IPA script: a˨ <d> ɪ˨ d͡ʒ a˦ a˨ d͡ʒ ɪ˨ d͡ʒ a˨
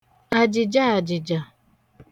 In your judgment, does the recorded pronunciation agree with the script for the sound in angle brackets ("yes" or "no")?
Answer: no